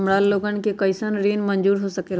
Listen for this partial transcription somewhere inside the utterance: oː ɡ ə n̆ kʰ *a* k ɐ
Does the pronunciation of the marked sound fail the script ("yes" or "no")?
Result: yes